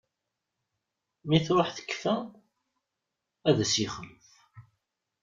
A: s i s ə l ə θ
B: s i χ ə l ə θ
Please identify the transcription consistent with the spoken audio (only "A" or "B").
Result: B